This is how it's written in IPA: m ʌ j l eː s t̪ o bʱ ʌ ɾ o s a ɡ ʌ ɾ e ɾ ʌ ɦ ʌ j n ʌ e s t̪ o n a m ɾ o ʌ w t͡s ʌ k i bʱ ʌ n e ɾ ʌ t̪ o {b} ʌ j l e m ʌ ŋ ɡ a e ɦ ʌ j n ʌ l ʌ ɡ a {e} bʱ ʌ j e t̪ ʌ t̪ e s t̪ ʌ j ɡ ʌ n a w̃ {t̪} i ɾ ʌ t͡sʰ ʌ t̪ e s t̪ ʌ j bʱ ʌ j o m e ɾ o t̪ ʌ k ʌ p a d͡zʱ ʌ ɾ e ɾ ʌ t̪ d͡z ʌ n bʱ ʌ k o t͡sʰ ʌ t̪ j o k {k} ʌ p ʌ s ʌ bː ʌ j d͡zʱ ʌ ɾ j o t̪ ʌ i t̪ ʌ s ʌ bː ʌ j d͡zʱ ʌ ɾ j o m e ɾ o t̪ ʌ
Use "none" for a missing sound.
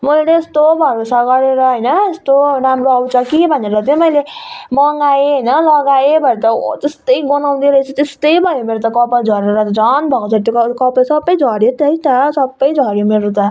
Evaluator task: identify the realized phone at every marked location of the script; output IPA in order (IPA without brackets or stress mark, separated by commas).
m, e, d̪, k